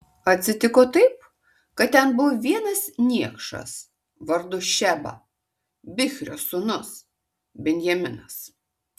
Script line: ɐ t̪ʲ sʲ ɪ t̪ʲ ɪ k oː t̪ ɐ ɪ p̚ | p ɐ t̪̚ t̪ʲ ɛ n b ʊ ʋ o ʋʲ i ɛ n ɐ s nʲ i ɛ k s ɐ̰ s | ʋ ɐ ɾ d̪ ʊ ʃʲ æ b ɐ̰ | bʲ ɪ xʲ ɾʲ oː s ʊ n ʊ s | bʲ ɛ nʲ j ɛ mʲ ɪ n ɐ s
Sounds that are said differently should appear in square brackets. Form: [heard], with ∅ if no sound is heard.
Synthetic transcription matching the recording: ɐ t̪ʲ sʲ ɪ t̪ʲ ɪ k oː t̪ ɐ ɪ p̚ | [k] ɐ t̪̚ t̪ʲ ɛ n b ʊ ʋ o ʋʲ i ɛ n ɐ s nʲ i ɛ k [ʃ] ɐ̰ s | ʋ ɐ ɾ d̪ ʊ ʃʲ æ b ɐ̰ | bʲ ɪ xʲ ɾʲ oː s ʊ n ʊ s | bʲ ɛ nʲ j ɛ mʲ ɪ n ɐ s